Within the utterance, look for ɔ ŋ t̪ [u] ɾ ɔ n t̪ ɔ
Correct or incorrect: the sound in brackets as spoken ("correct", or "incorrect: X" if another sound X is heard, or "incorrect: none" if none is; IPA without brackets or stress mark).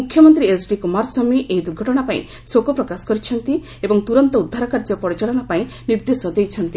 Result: correct